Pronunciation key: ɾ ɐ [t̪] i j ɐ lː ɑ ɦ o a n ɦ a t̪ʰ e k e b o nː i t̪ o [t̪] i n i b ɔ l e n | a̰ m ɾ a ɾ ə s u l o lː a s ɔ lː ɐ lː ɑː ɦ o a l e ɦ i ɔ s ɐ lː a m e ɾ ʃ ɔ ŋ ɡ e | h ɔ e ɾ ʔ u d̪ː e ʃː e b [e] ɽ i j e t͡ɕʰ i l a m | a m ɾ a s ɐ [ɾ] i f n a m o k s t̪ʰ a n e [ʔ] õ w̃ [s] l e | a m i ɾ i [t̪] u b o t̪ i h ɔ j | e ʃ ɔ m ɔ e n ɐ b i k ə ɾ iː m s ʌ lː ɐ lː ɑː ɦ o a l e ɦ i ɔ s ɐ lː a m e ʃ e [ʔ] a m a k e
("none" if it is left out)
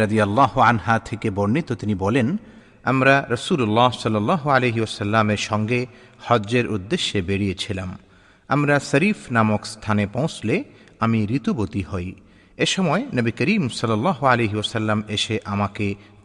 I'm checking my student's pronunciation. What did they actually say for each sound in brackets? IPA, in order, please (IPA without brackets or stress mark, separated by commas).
d̪, t̪, e, ɾ, p, s, t̪, ʔ